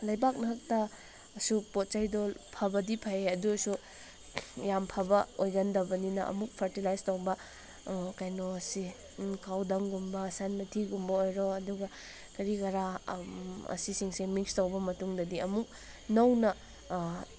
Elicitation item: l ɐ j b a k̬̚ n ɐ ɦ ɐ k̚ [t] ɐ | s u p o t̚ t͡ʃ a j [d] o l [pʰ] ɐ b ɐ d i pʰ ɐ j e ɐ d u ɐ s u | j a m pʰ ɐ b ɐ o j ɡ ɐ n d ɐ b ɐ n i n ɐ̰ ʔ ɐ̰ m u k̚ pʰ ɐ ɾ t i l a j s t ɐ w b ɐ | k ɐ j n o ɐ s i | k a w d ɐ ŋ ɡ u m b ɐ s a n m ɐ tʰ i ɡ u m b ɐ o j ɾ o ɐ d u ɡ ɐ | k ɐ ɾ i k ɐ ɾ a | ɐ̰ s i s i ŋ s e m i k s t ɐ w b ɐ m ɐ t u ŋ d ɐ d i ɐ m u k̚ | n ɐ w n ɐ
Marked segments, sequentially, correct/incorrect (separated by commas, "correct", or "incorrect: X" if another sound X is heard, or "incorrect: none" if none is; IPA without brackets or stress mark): correct, correct, correct